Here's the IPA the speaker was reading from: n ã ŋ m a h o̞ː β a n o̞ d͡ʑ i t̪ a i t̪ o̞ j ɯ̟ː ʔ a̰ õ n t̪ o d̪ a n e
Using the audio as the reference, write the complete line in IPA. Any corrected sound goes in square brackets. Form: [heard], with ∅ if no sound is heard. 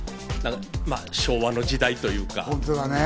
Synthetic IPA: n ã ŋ m a [ɕ] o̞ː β a n o̞ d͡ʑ i [d̪] a i t̪ o̞ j ɯ̟ː [k] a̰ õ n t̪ o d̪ a n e